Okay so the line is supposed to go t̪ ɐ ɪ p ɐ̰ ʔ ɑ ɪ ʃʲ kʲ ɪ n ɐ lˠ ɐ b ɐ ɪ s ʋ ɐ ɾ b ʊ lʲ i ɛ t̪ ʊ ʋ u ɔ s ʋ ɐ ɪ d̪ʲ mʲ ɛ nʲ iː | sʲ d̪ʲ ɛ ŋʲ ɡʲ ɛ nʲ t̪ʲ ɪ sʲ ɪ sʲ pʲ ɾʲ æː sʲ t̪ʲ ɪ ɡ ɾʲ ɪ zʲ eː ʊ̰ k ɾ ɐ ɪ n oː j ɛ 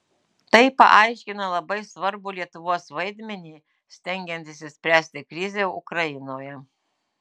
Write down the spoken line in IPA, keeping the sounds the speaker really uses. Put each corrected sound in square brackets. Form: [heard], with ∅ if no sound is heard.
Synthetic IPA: t̪ ɐ ɪ p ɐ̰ ʔ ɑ ɪ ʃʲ kʲ ɪ n ɐ lˠ ɐ b ɐ ɪ s ʋ ɐ ɾ b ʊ lʲ i ɛ t̪ ʊ ʋ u ɔ s ʋ ɐ ɪ d̪ʲ mʲ ɛ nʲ iː | sʲ [t̪ʲ] ɛ ŋʲ ɡʲ ɛ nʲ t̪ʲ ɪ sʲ ɪ sʲ pʲ ɾʲ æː sʲ t̪ʲ ɪ [k] ɾʲ ɪ zʲ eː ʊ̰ k ɾ ɐ ɪ n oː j ɛ